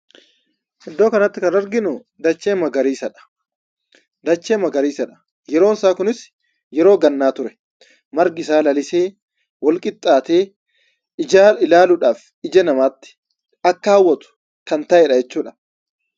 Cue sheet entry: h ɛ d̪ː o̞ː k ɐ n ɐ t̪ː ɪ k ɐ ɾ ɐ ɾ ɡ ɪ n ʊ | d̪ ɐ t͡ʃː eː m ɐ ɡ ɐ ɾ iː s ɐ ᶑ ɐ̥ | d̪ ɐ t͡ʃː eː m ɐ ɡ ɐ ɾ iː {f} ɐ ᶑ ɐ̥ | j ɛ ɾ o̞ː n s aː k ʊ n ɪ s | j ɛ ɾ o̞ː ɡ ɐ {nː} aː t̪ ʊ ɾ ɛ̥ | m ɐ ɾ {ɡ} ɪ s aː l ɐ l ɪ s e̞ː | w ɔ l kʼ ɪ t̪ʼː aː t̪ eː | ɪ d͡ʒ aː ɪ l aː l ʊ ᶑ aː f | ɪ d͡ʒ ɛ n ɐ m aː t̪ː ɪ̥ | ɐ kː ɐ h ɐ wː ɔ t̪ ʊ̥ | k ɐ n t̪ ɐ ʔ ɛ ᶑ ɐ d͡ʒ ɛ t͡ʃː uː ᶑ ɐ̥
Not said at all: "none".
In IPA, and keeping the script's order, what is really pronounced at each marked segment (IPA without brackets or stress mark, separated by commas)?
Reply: s, nː, ɡ